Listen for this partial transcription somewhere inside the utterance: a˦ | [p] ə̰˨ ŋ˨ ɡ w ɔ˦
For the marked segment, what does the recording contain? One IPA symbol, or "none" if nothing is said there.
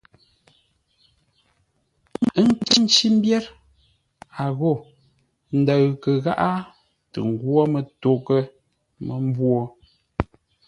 t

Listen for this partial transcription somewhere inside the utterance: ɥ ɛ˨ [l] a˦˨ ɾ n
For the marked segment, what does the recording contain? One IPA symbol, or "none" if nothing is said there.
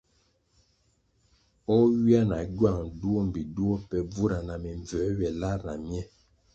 l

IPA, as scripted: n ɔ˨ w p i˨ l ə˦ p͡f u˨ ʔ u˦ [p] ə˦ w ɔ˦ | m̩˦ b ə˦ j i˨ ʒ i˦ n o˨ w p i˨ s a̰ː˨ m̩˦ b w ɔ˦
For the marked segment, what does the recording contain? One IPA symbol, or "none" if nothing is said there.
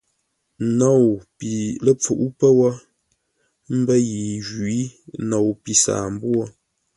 p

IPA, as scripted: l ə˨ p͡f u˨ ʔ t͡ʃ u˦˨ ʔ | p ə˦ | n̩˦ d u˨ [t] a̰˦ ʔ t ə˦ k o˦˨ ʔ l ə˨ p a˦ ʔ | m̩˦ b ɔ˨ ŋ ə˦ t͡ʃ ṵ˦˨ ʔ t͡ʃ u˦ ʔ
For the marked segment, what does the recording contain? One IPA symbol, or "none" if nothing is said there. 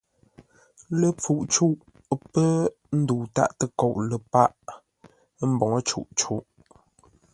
t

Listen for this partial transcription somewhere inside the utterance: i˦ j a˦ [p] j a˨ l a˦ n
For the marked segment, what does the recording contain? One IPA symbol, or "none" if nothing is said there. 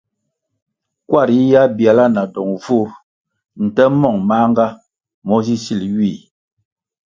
b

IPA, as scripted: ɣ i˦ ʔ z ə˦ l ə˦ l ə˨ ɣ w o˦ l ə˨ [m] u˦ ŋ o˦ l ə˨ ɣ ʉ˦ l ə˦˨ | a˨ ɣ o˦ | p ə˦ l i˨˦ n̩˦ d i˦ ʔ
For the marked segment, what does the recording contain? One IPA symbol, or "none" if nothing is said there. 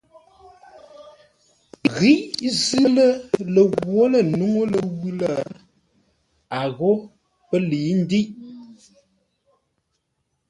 n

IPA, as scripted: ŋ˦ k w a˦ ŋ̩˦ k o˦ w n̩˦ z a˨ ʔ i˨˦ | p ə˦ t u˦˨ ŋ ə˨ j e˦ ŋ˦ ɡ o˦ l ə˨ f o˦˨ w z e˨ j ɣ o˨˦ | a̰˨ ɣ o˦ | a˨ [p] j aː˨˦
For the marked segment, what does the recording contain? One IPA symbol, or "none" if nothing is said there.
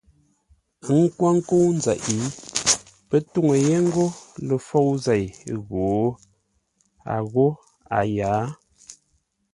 none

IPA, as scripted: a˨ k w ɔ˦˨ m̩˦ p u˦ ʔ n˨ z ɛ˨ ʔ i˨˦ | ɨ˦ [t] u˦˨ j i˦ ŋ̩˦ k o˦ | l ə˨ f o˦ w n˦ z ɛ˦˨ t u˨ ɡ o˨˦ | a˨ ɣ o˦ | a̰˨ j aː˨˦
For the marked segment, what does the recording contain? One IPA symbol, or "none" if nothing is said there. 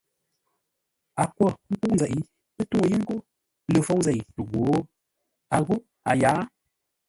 t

